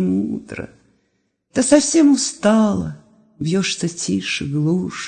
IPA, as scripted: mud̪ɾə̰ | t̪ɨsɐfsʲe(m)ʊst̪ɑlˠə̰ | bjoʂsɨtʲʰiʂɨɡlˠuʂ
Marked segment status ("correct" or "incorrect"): correct